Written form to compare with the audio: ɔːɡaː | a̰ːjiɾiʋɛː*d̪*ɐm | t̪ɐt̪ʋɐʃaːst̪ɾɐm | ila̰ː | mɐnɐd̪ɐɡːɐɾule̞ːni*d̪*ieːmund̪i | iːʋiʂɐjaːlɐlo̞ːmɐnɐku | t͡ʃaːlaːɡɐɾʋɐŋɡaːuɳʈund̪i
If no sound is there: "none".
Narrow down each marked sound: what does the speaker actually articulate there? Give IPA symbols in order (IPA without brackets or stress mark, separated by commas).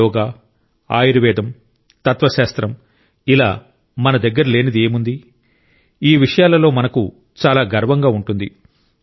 d̪, d̪